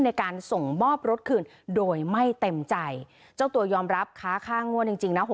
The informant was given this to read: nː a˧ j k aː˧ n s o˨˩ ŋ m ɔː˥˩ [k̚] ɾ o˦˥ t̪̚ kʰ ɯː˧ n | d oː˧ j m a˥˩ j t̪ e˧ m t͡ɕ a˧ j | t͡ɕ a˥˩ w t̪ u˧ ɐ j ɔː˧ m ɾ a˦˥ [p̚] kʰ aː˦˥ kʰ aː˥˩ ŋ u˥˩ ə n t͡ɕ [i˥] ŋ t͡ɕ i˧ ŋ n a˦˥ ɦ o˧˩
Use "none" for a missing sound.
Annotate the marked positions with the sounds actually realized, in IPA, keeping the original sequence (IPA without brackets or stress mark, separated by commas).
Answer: p̚, p̚, i˧